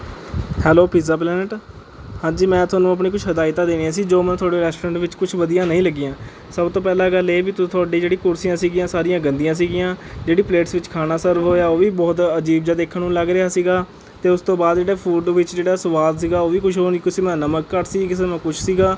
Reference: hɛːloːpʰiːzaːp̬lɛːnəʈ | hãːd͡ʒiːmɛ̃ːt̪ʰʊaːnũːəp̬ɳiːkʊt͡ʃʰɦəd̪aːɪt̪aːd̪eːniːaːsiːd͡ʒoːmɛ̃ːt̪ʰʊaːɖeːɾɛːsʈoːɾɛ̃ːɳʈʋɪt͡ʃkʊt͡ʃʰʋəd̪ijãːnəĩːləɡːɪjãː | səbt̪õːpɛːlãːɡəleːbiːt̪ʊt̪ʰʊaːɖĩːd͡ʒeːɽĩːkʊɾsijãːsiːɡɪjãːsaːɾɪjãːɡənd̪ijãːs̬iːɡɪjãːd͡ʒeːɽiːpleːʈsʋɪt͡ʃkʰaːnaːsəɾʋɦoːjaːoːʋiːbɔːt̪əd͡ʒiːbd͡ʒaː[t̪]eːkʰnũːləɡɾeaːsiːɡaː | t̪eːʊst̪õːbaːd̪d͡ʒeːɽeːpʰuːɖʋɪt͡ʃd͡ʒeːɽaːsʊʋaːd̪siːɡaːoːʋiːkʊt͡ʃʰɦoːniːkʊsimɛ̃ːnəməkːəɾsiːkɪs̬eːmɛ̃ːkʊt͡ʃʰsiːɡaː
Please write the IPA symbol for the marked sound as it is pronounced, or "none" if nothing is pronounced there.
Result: d̪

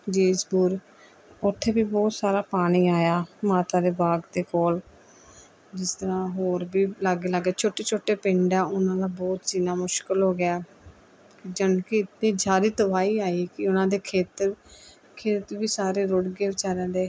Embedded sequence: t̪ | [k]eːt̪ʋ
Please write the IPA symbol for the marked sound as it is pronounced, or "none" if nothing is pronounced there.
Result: kʰ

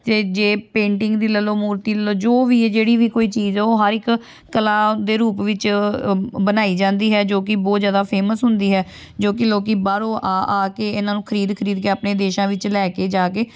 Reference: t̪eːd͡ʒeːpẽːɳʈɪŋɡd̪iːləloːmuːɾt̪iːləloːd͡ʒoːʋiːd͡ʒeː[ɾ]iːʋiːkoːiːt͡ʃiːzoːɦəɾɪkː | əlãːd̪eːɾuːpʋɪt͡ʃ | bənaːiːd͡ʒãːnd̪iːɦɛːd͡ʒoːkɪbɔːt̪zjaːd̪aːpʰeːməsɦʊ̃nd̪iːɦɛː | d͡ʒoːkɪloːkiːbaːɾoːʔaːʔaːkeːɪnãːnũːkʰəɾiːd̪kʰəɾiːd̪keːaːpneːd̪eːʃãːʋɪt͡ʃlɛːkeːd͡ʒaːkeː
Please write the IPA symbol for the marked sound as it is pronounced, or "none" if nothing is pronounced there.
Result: ɽ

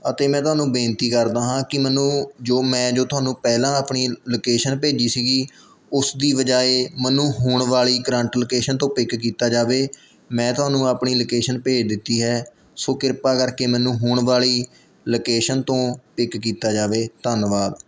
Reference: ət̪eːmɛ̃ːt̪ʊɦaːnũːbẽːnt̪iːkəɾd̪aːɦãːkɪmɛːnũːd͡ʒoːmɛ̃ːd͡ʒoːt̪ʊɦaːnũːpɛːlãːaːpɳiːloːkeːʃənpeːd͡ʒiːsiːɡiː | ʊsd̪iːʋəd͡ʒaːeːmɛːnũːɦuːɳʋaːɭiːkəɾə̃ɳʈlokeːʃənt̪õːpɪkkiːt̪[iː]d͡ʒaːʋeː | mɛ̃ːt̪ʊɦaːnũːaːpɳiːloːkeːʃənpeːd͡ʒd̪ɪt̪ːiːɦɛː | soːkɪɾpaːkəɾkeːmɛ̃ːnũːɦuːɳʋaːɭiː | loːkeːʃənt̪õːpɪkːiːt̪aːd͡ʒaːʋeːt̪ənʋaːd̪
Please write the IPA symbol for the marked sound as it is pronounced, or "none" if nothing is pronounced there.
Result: aː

